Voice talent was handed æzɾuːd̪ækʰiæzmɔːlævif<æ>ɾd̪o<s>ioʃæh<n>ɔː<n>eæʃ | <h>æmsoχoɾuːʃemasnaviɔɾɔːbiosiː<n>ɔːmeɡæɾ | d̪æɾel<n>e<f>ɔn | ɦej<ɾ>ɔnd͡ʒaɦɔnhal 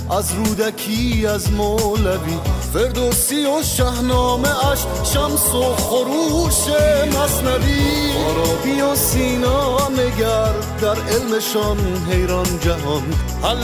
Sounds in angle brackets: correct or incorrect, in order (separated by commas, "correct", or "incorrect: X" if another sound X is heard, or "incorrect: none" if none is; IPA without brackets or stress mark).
incorrect: e, correct, correct, incorrect: m, incorrect: ʃ, correct, incorrect: m, incorrect: ʃ, correct